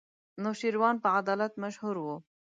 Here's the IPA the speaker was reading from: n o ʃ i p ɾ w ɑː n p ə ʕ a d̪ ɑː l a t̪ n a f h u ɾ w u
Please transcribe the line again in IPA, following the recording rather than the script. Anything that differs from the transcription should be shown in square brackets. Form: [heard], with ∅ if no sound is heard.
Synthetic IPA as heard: n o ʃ i [∅] ɾ w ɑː n p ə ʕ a d̪ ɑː l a t̪ [m] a [ʃ] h u ɾ w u